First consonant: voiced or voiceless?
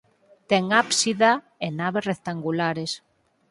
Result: voiceless